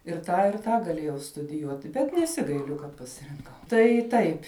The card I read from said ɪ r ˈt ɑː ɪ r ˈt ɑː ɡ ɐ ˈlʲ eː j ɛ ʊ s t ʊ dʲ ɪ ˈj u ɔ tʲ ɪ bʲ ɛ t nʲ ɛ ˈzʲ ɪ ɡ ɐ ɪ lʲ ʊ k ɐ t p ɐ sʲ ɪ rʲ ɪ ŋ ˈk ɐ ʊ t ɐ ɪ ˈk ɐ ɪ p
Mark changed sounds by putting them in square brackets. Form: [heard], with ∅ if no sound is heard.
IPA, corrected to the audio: ɪ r ˈt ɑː ɪ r ˈt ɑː ɡ ɐ ˈlʲ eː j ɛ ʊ s t ʊ dʲ ɪ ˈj u ɔ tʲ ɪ bʲ ɛ t nʲ ɛ [ˈsʲ] ɪ ɡ ɐ ɪ lʲ ʊ k ɐ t p ɐ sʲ ɪ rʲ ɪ ŋ ˈk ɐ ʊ t ɐ ɪ [ˈt] ɐ ɪ p